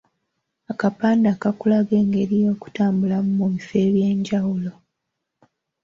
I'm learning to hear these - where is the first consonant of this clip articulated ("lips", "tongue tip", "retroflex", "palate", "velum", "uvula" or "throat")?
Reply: velum